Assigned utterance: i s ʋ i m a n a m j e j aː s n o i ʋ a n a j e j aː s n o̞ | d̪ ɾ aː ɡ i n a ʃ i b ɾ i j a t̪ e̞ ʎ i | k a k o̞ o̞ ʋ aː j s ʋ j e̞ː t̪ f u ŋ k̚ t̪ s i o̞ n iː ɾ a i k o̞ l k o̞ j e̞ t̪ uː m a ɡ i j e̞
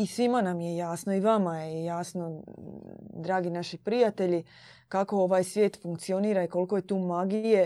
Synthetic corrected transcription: i s ʋ i m a n a m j e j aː s n o i ʋ a m a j e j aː s n o̞ | d̪ ɾ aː ɡ i n a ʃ i p ɾ i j a t̪ e̞ ʎ i | k a k o̞ o̞ ʋ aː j s ʋ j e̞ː t̪ f u ŋ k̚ t̪ s i o̞ n iː ɾ a i k o̞ l k o̞ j e̞ t̪ uː m a ɡ i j e̞